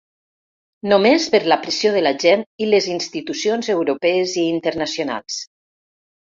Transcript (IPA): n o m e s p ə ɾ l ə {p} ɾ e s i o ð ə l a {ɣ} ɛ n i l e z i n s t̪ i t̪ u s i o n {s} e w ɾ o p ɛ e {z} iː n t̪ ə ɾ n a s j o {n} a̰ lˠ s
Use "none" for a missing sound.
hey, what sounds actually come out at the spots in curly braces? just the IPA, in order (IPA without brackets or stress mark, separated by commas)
p, ʒ, z, z, n